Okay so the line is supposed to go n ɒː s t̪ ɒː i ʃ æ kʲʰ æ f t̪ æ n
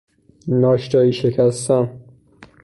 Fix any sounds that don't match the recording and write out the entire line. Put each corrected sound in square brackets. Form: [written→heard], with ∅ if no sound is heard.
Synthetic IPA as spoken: n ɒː [s→ʃ] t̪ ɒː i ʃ [æ→e] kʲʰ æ [f→s] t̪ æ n